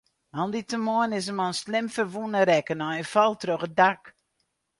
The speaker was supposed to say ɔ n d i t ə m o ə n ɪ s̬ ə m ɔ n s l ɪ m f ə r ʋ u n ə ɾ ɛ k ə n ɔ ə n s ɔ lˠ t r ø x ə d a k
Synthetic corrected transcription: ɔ n d i t ə m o ə n ɪ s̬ ə m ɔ n s l ɪ m f ə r ʋ u n ə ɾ ɛ k ə n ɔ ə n f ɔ lˠ t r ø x ə d a k